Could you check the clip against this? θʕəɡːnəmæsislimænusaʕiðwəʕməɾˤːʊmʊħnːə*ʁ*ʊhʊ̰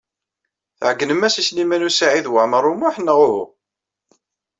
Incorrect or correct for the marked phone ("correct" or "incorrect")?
correct